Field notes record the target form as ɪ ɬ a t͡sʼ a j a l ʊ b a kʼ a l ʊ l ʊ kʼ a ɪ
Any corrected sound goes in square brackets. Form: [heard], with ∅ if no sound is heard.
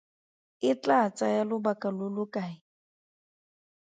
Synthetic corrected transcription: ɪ [t͡ɬ] a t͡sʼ a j a l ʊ b a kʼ a l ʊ l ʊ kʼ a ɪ